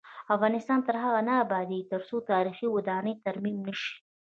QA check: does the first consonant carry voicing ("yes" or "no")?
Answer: no